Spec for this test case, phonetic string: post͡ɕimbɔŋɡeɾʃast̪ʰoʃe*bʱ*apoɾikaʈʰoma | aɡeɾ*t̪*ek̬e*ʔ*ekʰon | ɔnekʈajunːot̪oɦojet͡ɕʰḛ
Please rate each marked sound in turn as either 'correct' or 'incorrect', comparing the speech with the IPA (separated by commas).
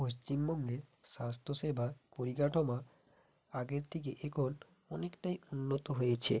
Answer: correct, incorrect, correct